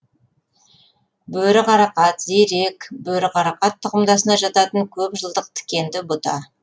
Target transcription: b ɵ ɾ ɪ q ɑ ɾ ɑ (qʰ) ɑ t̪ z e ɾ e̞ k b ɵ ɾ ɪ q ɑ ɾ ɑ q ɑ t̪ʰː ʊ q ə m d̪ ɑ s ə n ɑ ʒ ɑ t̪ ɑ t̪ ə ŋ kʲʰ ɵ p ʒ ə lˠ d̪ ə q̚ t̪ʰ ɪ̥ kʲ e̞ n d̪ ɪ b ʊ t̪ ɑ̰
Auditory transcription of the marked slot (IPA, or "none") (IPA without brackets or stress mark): q